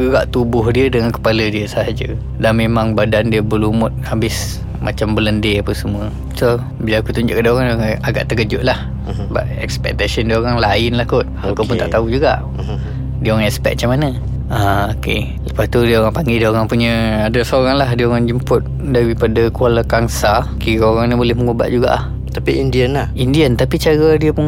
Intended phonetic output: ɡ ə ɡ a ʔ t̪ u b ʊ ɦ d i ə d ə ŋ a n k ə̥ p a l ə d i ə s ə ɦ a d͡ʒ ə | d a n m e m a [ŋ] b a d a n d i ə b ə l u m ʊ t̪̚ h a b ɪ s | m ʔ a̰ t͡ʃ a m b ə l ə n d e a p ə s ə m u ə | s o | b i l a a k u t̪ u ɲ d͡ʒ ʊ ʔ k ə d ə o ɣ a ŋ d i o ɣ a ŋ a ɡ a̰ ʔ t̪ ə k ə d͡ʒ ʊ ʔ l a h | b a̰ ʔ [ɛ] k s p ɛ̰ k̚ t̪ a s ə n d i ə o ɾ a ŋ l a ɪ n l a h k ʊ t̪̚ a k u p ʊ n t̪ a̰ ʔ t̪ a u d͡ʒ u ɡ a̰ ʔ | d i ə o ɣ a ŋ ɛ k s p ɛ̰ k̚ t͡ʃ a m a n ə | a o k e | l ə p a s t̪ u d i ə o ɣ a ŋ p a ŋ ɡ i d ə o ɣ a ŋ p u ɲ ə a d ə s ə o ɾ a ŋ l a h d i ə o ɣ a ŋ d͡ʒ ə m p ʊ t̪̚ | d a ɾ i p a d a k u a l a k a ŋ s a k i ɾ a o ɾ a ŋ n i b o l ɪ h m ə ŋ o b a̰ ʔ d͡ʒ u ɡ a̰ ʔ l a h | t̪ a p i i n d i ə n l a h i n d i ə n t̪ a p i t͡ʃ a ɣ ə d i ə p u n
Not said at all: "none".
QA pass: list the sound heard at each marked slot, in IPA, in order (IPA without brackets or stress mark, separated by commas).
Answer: ŋ, ɛ